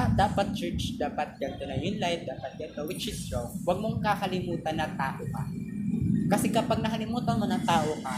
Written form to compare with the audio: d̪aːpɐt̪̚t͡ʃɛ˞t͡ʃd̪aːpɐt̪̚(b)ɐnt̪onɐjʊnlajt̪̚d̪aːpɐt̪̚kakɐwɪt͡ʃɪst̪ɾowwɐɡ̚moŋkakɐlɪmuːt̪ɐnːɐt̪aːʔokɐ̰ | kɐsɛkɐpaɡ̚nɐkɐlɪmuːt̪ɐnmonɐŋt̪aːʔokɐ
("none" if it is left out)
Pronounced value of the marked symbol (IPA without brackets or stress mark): ɡ